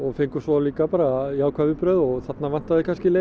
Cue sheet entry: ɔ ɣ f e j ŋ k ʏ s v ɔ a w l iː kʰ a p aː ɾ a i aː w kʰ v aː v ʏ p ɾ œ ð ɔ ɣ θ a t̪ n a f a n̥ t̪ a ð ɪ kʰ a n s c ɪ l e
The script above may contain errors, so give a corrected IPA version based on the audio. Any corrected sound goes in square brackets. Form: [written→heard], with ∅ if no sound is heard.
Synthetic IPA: ɔ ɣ f e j ŋ k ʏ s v ɔ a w l iː [kʰ→k] a p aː ɾ a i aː w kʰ v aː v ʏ p ɾ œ ð ɔ ɣ θ a t̪ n a [f→v] a n̥ t̪ a ð ɪ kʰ a n s c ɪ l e

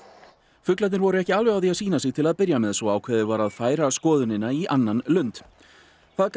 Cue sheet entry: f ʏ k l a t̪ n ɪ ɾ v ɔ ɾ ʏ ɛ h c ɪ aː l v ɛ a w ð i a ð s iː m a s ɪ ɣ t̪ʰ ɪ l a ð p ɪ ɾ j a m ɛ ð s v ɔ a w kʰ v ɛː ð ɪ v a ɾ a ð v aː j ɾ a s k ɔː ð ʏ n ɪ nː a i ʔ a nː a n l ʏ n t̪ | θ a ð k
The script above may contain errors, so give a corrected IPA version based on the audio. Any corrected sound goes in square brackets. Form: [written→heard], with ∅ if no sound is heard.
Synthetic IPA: f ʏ k l a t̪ n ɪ ɾ v ɔ ɾ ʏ ɛ h c ɪ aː l v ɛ a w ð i a ð s iː [m→n] a s ɪ ɣ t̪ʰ ɪ l a ð p ɪ ɾ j a m ɛ ð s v ɔ a w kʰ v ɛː ð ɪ v a ɾ a ð [v→f] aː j ɾ a s k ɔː ð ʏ n ɪ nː a i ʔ a nː a n l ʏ n t̪ | θ a ð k

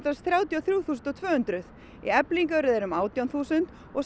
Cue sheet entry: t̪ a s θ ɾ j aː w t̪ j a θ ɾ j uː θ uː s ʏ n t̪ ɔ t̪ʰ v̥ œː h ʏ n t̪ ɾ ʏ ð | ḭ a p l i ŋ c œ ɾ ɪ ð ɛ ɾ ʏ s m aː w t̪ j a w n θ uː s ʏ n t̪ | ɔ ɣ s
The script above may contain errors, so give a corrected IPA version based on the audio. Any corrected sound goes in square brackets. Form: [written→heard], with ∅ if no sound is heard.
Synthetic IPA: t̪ a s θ ɾ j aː w t̪ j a θ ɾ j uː θ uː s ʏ n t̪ ɔ t̪ʰ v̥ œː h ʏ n t̪ ɾ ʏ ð | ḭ [a→ɛ] p l i ŋ [c→k] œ ɾ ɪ ð ɛ ɾ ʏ [s→∅] m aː w t̪ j a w n θ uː s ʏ n t̪ | ɔ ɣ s

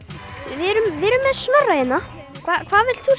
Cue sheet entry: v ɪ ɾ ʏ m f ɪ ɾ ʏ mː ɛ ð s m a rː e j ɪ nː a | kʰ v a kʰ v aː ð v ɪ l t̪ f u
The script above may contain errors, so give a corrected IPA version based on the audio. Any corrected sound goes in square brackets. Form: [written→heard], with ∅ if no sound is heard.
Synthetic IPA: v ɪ ɾ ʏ m [f→v] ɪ ɾ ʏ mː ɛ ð s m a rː [e→a] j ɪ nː a | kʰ v a kʰ v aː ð v ɪ l t̪ [f→θ] u

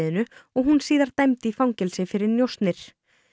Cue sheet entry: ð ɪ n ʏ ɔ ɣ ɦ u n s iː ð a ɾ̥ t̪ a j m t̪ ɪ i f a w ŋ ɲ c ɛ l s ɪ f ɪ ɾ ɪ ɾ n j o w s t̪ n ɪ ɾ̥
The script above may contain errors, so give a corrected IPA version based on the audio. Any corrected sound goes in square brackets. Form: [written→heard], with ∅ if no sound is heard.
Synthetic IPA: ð ɪ n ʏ ɔ ɣ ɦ u n s iː ð a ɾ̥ t̪ a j m t̪ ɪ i f a w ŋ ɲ c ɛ l s ɪ f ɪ ɾ ɪ ɾ n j o w s t̪ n ɪ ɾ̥

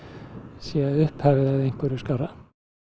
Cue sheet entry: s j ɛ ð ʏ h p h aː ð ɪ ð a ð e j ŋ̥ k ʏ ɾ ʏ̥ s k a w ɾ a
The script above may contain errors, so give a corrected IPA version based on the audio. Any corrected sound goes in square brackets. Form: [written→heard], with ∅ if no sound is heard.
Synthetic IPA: s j ɛ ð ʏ h p h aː [ð→v] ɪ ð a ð e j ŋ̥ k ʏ ɾ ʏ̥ s k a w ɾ a

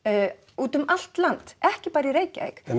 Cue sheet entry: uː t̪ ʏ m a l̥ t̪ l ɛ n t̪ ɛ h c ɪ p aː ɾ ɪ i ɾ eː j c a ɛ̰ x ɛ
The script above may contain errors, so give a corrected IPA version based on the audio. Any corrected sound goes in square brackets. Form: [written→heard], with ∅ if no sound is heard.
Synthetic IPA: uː t̪ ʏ m a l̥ t̪ l [ɛ→a] n t̪ ɛ h c ɪ p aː ɾ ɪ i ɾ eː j c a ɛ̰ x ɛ

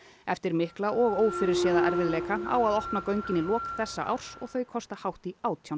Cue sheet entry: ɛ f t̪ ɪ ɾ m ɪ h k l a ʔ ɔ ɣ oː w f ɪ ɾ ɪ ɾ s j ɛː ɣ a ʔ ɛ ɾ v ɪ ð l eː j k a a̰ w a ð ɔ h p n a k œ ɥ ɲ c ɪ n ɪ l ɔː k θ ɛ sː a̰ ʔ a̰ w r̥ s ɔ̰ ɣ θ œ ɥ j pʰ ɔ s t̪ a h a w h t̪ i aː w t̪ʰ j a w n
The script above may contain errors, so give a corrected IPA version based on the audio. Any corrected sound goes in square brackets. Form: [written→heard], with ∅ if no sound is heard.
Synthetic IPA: ɛ f t̪ ɪ ɾ m ɪ h k l a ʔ ɔ ɣ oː w f ɪ ɾ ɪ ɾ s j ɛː [ɣ→ð] a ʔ ɛ ɾ v ɪ ð l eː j k a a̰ w a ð ɔ h p n a k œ ɥ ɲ c ɪ n ɪ l ɔː k θ ɛ sː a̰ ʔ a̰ w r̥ s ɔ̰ ɣ θ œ ɥ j [pʰ→kʰ] ɔ s t̪ a h a w h t̪ i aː w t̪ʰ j a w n

